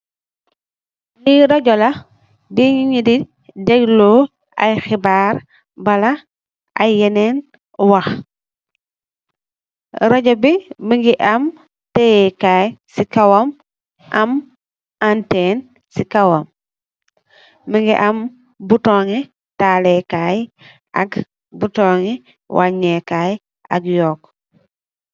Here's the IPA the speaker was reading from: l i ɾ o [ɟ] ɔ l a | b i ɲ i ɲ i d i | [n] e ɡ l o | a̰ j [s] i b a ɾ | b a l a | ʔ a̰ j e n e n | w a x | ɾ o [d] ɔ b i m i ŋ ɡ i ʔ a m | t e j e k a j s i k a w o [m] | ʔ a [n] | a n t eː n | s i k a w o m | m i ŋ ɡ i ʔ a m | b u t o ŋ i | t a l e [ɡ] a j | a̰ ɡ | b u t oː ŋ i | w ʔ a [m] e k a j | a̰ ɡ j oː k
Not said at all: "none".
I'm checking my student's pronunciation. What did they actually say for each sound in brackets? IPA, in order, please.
ɟ, d, x, ɟ, m, m, k, ɲ

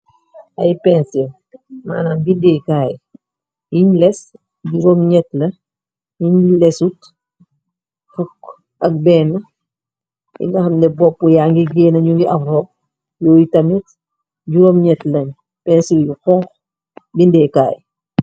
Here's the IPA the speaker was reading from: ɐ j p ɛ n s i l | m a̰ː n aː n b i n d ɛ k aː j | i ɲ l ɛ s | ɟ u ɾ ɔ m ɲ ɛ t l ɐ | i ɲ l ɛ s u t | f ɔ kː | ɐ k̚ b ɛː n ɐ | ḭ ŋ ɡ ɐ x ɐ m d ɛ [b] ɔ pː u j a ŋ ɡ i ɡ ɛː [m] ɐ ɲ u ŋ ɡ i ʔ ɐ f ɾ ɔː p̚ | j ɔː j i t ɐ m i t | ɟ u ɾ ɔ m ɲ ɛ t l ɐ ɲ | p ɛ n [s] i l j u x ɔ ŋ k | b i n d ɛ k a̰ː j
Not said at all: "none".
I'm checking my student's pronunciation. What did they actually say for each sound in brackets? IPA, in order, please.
b, n, s

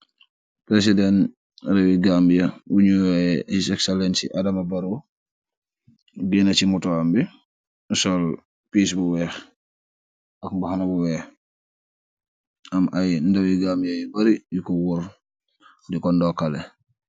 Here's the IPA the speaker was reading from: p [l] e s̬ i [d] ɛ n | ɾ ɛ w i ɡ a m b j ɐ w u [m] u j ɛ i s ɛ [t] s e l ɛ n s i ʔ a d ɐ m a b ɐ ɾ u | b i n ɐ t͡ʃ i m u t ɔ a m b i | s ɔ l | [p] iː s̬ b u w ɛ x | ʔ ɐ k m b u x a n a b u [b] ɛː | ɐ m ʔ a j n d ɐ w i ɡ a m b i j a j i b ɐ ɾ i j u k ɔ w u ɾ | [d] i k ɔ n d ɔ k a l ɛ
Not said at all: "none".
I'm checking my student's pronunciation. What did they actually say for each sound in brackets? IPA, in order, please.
ɾ, d, ɲ, k, p, w, d

